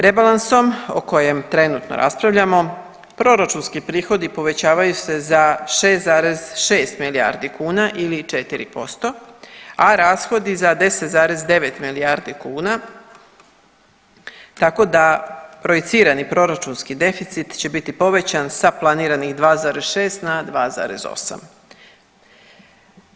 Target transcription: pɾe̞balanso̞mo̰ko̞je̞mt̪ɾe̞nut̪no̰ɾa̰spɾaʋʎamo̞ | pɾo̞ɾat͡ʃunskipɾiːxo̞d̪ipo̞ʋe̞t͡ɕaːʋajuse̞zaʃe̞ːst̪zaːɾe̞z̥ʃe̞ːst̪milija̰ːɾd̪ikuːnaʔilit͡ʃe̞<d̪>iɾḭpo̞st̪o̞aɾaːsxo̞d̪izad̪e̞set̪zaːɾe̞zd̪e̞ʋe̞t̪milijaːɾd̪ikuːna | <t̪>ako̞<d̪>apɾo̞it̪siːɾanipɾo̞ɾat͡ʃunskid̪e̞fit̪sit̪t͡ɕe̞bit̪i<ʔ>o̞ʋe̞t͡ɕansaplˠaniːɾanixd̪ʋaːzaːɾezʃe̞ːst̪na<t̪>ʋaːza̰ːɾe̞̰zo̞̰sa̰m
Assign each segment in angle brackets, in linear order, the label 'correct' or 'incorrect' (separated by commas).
incorrect, correct, correct, incorrect, incorrect